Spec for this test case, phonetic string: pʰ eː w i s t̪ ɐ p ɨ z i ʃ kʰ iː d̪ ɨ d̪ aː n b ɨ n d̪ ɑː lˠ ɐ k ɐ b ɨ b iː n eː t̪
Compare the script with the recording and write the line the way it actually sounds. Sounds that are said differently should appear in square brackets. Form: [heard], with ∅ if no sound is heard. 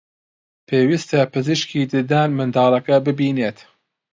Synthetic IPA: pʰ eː w i s t̪ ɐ p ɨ z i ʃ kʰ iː d̪ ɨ d̪ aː n [m] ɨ n d̪ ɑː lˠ ɐ k ɐ b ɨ b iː n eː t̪